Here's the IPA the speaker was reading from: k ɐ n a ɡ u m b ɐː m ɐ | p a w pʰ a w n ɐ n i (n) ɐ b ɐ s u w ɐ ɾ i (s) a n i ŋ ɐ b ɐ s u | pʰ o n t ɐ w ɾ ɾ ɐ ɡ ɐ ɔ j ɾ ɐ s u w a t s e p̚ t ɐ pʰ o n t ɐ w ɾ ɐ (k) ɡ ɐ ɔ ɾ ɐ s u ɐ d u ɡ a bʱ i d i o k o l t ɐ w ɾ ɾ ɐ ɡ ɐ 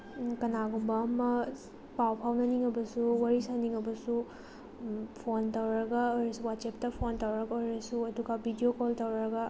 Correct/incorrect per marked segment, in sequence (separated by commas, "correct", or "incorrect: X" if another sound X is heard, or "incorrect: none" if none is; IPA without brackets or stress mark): incorrect: ŋ, correct, incorrect: none